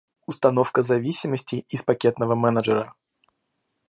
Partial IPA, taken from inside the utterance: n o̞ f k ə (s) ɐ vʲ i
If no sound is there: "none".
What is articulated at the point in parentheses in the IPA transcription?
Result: z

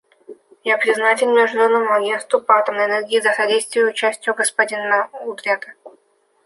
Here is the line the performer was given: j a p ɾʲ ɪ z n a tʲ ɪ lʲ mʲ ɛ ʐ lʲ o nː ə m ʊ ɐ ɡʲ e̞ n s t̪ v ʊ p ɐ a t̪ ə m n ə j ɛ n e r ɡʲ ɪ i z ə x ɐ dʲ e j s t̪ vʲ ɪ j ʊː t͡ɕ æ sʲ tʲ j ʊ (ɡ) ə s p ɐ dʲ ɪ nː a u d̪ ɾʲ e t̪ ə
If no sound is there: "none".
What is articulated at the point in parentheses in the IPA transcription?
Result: ɡ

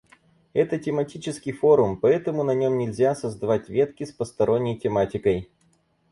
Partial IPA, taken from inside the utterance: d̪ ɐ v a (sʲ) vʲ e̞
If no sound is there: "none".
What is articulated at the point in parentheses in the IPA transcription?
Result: tʲ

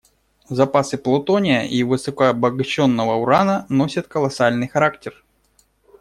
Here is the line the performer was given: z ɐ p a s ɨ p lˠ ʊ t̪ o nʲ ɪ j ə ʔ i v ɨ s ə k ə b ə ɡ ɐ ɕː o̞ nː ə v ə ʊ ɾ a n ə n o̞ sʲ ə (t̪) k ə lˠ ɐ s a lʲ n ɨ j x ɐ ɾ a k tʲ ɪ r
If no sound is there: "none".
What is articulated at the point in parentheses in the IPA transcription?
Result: t̪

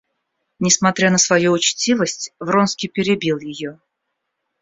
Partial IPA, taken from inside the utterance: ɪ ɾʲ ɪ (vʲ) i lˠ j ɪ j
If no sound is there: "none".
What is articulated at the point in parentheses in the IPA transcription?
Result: bʲ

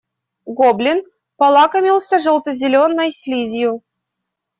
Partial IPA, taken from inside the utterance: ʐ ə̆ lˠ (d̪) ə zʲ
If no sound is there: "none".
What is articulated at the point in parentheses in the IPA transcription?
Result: t̪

